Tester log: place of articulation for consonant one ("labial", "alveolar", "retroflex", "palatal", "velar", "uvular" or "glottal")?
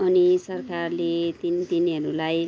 alveolar